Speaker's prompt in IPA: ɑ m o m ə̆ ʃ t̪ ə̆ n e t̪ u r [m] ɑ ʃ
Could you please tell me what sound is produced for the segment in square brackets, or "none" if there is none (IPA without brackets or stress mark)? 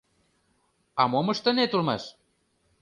m